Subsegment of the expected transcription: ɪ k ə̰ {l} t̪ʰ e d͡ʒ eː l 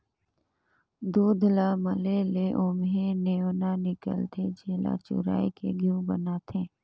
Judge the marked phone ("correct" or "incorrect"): correct